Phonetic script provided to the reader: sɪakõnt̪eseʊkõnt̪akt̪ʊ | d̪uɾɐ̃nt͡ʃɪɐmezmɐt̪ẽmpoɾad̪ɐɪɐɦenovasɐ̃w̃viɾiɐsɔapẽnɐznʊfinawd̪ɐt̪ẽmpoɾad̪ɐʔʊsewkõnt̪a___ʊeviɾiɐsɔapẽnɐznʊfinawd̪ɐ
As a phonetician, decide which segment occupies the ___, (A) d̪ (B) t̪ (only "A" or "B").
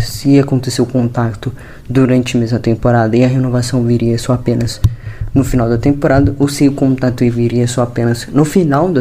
B